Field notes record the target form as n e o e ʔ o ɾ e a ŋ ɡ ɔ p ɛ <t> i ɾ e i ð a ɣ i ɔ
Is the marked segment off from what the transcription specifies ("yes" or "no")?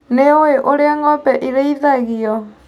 yes